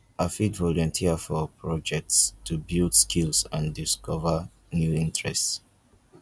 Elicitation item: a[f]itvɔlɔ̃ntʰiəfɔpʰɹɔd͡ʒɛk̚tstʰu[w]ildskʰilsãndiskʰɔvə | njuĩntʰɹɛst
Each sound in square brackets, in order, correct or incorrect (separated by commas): correct, incorrect